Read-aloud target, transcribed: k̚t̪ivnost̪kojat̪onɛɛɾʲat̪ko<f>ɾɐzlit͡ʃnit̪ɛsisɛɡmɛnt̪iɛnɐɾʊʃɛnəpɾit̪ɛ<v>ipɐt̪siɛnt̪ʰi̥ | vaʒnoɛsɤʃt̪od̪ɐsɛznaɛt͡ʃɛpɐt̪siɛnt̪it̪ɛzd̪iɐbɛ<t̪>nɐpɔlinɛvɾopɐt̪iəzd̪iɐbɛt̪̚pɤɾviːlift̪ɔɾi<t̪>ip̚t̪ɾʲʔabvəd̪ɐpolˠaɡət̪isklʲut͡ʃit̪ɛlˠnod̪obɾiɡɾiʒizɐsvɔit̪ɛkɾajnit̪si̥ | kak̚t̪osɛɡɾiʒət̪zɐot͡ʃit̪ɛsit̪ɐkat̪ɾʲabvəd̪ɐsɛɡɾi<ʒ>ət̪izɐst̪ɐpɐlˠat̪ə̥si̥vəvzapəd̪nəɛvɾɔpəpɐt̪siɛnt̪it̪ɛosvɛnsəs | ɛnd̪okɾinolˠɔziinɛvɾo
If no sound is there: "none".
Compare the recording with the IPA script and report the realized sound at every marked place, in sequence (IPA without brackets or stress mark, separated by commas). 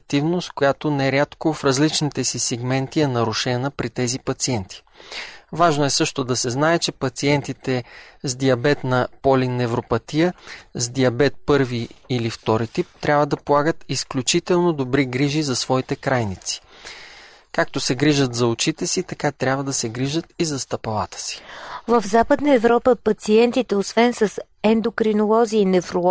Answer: f, z, t̪, t̪, ʒ